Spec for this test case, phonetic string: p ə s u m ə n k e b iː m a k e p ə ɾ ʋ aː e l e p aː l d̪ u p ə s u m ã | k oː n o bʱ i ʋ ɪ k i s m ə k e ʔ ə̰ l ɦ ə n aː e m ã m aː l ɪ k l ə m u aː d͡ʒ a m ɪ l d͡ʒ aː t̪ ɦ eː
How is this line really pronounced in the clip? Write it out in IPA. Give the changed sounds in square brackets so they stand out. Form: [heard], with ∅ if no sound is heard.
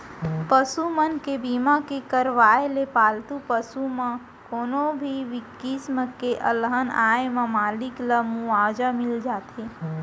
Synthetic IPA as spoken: p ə s u m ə n k e b iː m a k e [k] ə ɾ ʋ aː e l e p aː l [t̪] u p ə s u m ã | k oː n o bʱ i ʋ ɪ k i s m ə k e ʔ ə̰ l ɦ ə n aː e m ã m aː l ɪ k l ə m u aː d͡ʒ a m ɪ l d͡ʒ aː t̪ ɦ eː